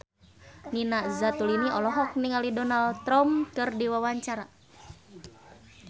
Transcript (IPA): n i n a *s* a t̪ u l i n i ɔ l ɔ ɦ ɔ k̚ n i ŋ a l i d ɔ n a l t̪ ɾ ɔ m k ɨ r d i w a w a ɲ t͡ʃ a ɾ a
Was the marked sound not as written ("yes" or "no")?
yes